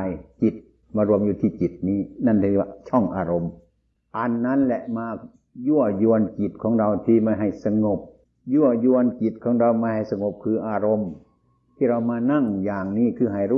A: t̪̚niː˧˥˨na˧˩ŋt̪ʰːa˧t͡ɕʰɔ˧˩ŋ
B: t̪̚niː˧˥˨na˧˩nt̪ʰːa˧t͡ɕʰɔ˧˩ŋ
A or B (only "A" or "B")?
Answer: B